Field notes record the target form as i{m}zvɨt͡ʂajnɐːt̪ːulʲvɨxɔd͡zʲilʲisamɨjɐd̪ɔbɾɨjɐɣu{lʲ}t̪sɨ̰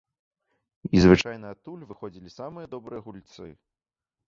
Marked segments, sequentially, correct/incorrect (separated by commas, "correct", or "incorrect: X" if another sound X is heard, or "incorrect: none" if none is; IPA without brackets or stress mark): incorrect: none, correct